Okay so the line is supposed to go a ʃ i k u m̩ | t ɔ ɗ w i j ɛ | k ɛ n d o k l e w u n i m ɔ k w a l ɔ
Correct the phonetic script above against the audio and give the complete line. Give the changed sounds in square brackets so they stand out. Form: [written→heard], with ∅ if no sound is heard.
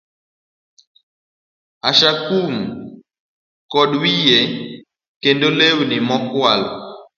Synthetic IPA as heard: a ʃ [i→a] k u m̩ | [t→k] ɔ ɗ w i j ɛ | k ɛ n d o [k→∅] l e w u n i m ɔ k w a l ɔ